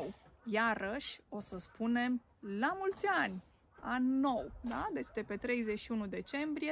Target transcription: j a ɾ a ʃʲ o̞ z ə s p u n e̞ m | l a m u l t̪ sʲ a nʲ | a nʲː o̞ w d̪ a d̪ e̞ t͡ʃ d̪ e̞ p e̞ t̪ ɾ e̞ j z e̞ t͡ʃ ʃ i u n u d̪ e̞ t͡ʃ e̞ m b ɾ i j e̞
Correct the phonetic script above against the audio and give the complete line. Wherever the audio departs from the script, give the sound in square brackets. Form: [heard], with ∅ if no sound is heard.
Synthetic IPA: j a ɾ [ə] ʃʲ o̞ [s] ə s p u n e̞ m | l a m u l t̪ sʲ a nʲ | a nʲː o̞ w d̪ a d̪ e̞ t͡ʃ d̪ e̞ p e̞ t̪ ɾ e̞ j z e̞ t͡ʃ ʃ i u n u d̪ e̞ t͡ʃ e̞ m b ɾ i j e̞